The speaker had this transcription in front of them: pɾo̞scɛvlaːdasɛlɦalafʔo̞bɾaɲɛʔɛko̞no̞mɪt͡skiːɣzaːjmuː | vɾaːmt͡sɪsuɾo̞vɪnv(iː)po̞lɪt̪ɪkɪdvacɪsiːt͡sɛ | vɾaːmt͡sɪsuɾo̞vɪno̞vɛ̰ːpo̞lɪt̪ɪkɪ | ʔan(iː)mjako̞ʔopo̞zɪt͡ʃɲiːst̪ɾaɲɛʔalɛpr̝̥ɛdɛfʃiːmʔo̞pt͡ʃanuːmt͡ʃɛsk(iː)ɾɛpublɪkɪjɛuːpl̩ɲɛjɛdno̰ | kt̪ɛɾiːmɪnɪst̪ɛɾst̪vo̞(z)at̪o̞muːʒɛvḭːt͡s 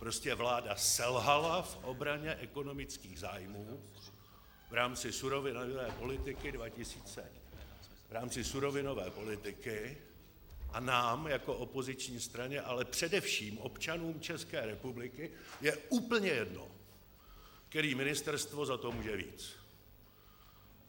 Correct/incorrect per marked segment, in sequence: incorrect: ɛː, incorrect: aː, incorrect: ɛː, correct

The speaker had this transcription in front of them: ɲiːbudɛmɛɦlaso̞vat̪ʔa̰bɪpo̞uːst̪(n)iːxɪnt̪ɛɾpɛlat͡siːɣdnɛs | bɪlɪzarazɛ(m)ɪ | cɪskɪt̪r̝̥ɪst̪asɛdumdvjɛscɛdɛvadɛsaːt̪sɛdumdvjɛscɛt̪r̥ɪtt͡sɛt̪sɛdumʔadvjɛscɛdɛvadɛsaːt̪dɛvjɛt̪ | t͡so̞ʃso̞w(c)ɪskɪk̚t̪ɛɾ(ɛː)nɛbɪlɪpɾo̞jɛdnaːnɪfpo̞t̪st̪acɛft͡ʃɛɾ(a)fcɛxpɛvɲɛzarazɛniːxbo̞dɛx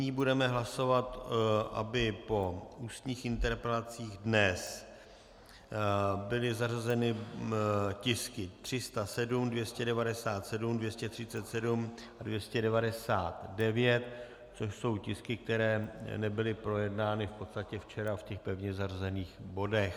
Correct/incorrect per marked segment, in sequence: incorrect: ɲ, incorrect: n, correct, correct, correct

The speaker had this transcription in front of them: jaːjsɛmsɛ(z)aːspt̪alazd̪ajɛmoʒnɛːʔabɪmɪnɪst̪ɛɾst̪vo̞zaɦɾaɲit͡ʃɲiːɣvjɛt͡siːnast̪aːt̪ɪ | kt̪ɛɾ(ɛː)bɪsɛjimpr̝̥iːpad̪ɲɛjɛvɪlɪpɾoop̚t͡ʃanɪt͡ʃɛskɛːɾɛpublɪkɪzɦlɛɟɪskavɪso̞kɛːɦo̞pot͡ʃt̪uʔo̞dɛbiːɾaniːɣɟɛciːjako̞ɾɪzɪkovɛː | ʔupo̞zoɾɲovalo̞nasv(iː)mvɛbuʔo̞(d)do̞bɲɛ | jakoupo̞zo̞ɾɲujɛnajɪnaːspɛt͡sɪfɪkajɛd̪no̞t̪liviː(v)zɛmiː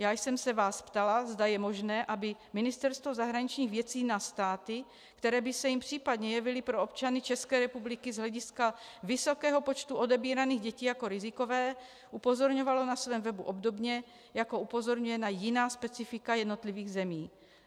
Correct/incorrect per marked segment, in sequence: incorrect: v, correct, incorrect: ɛː, incorrect: b, incorrect: ɣ

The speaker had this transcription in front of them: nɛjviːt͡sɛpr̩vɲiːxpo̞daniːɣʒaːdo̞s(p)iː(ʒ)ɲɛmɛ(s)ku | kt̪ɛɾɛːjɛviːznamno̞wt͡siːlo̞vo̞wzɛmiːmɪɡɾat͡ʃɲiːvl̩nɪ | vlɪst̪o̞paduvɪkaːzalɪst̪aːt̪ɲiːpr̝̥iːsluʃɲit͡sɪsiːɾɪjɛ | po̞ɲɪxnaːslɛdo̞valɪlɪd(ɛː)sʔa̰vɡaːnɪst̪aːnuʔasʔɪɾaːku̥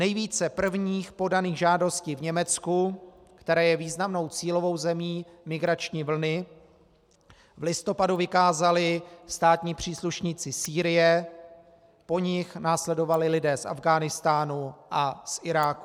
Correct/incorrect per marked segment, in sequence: incorrect: c, incorrect: v, incorrect: t͡s, correct

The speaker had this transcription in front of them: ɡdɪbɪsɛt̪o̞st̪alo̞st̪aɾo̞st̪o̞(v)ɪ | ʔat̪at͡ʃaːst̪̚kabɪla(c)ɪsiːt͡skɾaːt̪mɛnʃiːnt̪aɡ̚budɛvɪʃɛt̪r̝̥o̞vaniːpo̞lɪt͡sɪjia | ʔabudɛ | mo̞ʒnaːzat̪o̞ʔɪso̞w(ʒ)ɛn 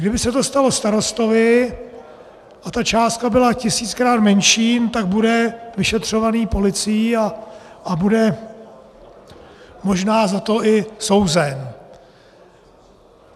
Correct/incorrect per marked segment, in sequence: correct, correct, incorrect: z

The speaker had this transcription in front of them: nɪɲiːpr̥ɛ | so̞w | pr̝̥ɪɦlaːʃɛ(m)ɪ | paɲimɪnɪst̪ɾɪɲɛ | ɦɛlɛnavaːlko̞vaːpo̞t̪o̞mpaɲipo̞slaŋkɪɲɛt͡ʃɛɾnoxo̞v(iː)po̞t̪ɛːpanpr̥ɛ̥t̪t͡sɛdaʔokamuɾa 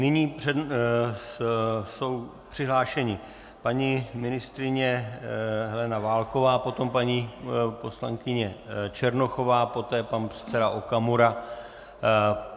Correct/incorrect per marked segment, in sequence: incorrect: ɲ, incorrect: aː

